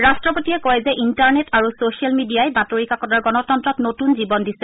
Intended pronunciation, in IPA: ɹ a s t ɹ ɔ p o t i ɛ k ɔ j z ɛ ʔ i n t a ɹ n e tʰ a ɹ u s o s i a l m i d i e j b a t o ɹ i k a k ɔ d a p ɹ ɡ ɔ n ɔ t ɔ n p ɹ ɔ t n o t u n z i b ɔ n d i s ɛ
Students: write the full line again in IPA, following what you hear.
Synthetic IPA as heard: ɹ a s t ɹ ɔ p o t i ɛ k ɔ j z ɛ ʔ i n t a ɹ n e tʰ a ɹ u s o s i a l m i d i a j b a t o ɹ i k a k ɔ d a ɹ ɡ ɔ n ɔ t ɔ n t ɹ ɔ t n o t u n z i b ɔ n d i s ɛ